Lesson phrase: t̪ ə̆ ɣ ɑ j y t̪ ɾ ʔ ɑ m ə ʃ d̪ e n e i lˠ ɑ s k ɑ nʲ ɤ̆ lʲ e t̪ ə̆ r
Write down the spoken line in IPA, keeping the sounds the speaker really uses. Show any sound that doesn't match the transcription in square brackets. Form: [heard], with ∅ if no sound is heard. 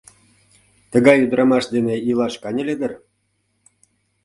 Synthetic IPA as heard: t̪ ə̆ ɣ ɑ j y [d̪] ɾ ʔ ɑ m [ɑ] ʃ d̪ e n e i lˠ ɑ [ʃ] k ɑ nʲ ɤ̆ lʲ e [d̪] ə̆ r